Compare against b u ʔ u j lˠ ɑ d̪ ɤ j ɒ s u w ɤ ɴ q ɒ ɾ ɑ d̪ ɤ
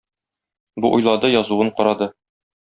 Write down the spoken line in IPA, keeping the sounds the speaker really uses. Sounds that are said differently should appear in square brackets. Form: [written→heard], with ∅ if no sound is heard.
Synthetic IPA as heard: b u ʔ u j lˠ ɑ d̪ ɤ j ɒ [s→z] u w ɤ ɴ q ɒ ɾ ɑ d̪ ɤ